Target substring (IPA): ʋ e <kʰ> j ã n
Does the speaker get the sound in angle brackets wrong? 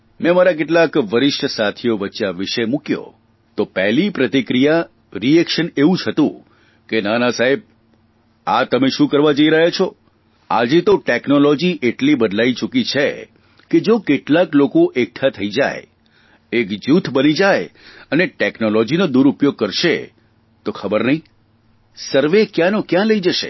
yes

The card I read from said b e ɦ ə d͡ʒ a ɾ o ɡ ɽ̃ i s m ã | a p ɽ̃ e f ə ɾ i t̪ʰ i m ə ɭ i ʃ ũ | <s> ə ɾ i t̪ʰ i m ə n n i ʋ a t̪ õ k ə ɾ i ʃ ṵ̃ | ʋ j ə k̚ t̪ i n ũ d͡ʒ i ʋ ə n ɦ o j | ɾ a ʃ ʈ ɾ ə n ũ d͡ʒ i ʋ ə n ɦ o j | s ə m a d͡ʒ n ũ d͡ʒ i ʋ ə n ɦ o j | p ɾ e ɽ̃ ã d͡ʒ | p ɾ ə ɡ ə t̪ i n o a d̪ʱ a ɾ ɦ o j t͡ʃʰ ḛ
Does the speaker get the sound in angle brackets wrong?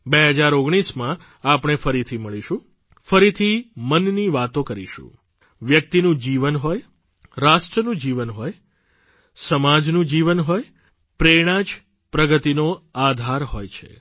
yes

